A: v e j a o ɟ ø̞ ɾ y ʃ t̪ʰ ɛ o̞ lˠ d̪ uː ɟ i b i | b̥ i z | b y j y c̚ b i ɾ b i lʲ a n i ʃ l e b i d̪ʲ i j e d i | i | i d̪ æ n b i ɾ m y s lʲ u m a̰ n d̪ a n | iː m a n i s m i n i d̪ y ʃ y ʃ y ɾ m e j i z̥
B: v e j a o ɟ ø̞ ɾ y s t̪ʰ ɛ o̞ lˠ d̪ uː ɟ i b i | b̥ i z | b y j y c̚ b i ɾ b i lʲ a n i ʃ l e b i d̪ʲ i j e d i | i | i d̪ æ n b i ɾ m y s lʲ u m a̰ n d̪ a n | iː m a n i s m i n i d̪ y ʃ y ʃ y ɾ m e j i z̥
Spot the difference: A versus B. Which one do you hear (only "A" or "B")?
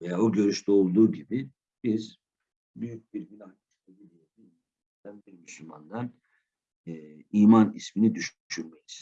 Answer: A